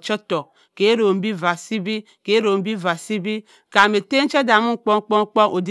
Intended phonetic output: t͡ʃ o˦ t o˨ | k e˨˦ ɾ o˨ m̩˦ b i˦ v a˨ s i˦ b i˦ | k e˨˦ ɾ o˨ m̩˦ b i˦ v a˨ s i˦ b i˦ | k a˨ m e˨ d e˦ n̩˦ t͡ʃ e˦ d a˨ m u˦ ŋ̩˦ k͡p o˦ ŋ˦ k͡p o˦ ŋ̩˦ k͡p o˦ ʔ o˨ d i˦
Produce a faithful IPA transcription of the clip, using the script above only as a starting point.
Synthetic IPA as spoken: t͡ʃ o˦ t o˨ | k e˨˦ ɾ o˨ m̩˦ b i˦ v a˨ s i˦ b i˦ | k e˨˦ ɾ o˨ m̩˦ b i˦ v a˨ s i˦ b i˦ | k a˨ m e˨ t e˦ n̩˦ t͡ʃ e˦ d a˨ m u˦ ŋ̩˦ k͡p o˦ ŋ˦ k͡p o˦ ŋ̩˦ k͡p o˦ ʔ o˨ d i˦